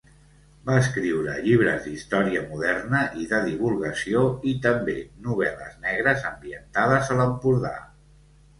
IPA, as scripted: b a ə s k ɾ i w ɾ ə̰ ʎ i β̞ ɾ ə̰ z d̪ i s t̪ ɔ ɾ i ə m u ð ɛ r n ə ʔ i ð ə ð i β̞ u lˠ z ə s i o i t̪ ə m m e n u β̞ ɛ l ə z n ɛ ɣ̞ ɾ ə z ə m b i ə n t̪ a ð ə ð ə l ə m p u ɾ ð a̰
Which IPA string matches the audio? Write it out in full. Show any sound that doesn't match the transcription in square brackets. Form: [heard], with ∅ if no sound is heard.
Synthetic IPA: b a ə s k ɾ i w ɾ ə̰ ʎ i β̞ ɾ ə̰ z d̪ i s t̪ ɔ ɾ i ə m u ð ɛ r n ə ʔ i ð ə ð i β̞ u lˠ [ɣ] ə s i o i t̪ ə m [b] e n u β̞ ɛ l ə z n ɛ ɣ̞ ɾ ə z ə m b i ə n t̪ a ð ə [z] ə l ə m p u ɾ ð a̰